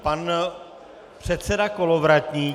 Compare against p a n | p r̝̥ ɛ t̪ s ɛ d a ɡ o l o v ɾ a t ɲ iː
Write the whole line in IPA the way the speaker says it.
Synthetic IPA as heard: p a n | p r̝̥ ɛ t̪ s ɛ d a k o l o v ɾ a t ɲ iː